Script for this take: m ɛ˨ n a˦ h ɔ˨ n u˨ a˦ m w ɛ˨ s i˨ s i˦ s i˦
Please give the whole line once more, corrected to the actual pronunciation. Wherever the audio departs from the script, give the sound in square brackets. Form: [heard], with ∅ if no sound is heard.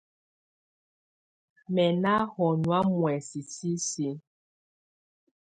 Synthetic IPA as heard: m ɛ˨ n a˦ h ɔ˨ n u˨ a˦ m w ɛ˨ s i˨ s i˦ s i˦